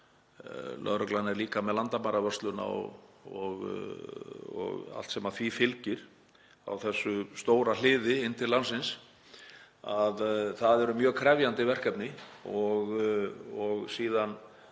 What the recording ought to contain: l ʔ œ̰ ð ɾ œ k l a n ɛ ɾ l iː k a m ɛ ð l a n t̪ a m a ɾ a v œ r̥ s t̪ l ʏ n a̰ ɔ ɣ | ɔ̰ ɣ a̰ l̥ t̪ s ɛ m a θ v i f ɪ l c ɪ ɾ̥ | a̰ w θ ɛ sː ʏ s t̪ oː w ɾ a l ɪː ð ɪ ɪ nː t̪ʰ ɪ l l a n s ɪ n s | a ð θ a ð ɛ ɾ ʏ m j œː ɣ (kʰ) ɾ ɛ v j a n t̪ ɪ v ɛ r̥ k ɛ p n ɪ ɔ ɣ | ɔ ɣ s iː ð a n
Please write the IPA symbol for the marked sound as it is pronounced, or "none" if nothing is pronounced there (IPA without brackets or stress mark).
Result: kʰ